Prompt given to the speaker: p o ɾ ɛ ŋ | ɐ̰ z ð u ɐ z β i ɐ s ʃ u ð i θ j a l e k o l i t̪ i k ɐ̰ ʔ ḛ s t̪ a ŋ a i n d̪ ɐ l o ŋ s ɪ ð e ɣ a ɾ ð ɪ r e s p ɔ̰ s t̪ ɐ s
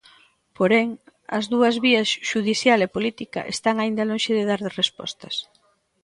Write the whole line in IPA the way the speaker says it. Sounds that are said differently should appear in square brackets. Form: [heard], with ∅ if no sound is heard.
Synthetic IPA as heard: p o ɾ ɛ ŋ | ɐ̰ z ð u ɐ z β i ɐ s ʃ u ð i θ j a l e [p] o l i t̪ i k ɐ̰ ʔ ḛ s t̪ a ŋ a i n d̪ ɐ l o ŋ [ʃ] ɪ ð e [ð] a ɾ ð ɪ r e s p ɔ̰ s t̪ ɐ s

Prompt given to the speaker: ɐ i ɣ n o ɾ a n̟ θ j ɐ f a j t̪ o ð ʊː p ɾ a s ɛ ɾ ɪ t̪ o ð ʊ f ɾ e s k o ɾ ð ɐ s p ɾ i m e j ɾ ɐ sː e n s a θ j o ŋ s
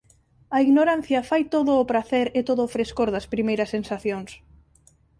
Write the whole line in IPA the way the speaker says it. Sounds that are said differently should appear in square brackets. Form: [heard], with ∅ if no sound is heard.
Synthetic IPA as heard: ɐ i ɣ n o ɾ a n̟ θ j ɐ f a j t̪ o ð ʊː p ɾ a [θ] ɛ ɾ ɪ t̪ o ð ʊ f ɾ e s k o ɾ ð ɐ s p ɾ i m e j ɾ ɐ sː e n s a θ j o ŋ s

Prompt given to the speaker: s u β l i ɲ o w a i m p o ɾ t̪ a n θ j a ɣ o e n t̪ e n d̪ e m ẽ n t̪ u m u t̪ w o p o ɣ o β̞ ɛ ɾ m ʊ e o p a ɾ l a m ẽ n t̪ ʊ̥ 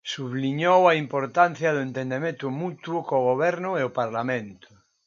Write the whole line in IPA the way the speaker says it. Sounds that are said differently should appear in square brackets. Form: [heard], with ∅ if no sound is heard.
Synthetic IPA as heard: s u β l i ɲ o w a i m p o ɾ t̪ a n θ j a [ð] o e n t̪ e n d̪ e m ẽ n t̪ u m u t̪ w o [k] o ɣ o β̞ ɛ ɾ [n] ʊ e o p a ɾ l a m ẽ n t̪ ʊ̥

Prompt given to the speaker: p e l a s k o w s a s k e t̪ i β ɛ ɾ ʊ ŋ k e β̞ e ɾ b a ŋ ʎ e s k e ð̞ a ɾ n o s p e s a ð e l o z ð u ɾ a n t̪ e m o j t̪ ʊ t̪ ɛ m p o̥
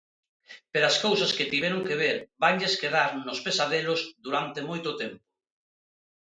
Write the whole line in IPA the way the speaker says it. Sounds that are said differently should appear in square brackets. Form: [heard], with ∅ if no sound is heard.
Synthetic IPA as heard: p e [ɾ] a s k o w s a s k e t̪ i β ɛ ɾ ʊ ŋ k e β̞ e ɾ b a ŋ ʎ e s k e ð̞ a ɾ n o s p e s a ð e l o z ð u ɾ a n t̪ e m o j t̪ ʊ t̪ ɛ m p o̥

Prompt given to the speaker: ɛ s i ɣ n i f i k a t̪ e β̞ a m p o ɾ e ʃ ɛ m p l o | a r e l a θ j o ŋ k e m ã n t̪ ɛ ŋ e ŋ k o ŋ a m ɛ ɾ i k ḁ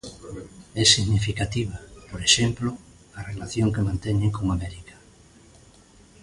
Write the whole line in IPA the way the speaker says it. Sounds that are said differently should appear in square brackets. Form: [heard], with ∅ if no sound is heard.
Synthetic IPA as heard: ɛ s i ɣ n i f i k a t̪ [i] β̞ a [∅] p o ɾ e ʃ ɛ m p l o | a r e l a θ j o ŋ k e m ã n t̪ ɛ [ɲ] e ŋ k o ŋ a m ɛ ɾ i k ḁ

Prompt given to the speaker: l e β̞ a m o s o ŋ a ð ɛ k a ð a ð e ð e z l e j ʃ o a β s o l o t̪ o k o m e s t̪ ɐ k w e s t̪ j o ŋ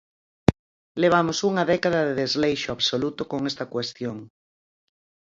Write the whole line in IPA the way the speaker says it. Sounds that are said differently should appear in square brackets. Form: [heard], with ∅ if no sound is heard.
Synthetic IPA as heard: l e β̞ a m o s [u] ŋ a ð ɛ k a ð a ð e ð e z l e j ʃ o a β s o l [u] t̪ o k o [ŋ] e s t̪ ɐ k w e s t̪ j o ŋ

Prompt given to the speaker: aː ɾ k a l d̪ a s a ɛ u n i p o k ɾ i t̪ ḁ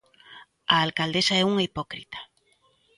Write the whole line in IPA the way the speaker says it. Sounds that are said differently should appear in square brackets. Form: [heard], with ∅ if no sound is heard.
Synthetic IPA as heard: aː [l] k a l d̪ [e] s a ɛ u [ŋ] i p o k ɾ i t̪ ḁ

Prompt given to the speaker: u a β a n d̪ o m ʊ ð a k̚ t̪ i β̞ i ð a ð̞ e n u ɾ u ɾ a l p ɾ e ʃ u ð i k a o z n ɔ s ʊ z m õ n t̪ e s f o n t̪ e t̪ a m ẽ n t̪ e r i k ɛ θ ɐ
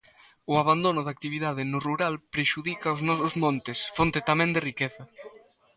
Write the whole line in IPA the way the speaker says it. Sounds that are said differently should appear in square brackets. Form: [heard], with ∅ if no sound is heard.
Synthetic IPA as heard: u a β a n d̪ o [n] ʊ ð a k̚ t̪ i β̞ i ð a ð̞ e n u [r] u ɾ a l p ɾ e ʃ u ð i k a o z n ɔ s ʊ z m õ n t̪ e s f o n t̪ e t̪ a m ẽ n [d̪] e r i k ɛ θ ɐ

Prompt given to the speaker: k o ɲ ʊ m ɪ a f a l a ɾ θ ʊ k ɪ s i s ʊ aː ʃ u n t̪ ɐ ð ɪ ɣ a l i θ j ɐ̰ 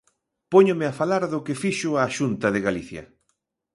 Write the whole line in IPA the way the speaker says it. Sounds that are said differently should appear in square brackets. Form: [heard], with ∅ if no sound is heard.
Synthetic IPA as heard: [p] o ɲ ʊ m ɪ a f a l a ɾ [ð] ʊ k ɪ [f] i [ʃ] ʊ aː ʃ u n t̪ ɐ ð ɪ ɣ a l i θ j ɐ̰

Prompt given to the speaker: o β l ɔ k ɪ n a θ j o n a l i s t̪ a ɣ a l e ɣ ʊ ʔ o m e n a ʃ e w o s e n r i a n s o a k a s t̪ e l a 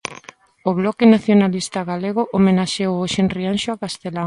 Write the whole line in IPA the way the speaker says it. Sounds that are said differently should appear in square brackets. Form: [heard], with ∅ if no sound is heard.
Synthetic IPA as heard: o β l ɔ k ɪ n a θ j o n a l i s t̪ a ɣ a l e ɣ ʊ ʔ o m e n a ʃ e w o [ʃ] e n r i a n [ʃ] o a k a s t̪ e l a

